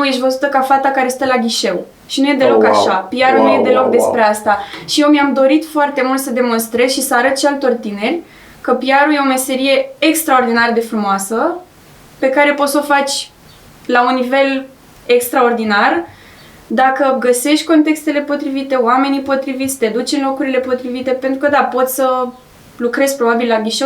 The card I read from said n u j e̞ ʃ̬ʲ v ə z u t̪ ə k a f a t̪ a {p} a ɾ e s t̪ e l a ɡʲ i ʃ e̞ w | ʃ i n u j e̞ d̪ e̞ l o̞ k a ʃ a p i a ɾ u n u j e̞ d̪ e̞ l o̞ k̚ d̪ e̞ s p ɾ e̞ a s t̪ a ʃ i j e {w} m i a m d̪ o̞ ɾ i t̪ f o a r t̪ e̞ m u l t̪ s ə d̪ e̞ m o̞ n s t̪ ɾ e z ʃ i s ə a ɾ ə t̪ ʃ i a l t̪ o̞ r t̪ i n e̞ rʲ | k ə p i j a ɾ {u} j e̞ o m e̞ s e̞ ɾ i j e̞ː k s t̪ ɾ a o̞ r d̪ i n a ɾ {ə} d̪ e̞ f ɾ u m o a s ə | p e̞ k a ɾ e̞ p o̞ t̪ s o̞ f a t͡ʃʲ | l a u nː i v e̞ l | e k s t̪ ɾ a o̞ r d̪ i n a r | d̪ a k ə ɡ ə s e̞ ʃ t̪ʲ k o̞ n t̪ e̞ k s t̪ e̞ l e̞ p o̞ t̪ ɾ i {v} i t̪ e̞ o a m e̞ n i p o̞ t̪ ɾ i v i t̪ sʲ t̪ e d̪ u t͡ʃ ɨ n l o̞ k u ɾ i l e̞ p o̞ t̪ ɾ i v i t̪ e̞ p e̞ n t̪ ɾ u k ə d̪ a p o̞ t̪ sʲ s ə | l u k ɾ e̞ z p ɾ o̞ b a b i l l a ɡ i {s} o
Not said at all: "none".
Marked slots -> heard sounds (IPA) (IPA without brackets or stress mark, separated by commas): k, w, u, ə, v, ʃ